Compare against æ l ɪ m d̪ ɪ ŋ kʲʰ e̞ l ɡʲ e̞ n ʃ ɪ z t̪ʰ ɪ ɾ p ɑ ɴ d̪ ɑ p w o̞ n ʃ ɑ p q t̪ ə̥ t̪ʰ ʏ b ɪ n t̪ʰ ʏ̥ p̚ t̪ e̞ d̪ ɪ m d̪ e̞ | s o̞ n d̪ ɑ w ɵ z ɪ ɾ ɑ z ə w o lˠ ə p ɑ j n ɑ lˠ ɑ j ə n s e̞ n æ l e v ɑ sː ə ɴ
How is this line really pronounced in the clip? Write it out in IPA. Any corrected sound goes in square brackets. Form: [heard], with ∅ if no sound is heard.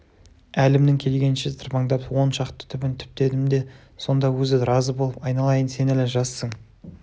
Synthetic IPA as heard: æ l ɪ m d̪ ɪ ŋ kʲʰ e̞ l ɡʲ e̞ n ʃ ɪ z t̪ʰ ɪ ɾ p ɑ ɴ d̪ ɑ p w o̞ n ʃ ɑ [∅] q t̪ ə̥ t̪ʰ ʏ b ɪ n t̪ʰ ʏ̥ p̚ t̪ e̞ d̪ ɪ m d̪ e̞ | s o̞ n d̪ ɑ w ɵ z ɪ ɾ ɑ z ə [b] o lˠ ə p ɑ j n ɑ lˠ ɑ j ə n s e̞ n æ l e [ʒ] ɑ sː ə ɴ

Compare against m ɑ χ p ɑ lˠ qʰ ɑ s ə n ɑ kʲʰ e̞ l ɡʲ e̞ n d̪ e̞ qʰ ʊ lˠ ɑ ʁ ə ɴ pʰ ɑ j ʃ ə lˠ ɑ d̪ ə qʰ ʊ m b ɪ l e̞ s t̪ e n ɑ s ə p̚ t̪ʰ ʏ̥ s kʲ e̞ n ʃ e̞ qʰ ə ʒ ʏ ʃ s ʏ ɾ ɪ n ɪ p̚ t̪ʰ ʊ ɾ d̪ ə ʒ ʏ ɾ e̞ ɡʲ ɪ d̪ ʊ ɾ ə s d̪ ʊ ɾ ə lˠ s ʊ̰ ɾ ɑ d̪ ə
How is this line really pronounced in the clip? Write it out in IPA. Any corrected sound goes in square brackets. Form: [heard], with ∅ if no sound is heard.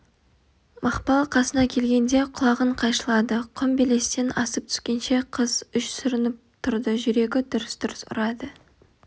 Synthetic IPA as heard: m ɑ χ p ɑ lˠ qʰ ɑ s ə n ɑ kʲʰ e̞ l ɡʲ e̞ n d̪ e̞ qʰ ʊ lˠ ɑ ʁ ə ɴ [qʰ] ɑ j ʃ ə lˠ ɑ d̪ ə qʰ ʊ m b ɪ l e̞ s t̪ e n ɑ s ə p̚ t̪ʰ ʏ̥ s kʲ e̞ n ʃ e̞ qʰ ə [z] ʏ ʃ s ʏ ɾ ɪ n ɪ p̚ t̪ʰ ʊ ɾ d̪ ə ʒ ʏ ɾ e̞ ɡʲ ɪ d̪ ʊ ɾ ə s d̪ ʊ ɾ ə [∅] s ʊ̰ ɾ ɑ d̪ ə

